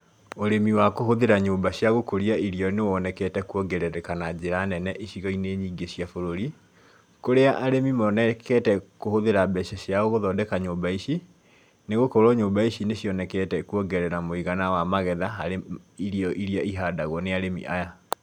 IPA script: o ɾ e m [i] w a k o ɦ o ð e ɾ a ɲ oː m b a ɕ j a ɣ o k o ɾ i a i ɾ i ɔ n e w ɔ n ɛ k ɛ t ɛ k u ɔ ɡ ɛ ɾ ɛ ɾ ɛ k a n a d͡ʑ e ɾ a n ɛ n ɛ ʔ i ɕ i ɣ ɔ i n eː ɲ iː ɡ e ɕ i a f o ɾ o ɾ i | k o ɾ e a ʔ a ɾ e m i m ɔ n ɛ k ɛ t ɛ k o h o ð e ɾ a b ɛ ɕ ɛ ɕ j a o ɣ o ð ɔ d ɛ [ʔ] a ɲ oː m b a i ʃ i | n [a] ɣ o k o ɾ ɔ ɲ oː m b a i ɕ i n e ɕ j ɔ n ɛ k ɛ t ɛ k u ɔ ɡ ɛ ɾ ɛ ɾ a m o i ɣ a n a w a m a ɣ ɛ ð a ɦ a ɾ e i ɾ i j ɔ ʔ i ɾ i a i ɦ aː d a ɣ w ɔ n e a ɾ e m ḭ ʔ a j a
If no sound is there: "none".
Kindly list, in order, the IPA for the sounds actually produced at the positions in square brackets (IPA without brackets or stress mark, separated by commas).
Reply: i, k, e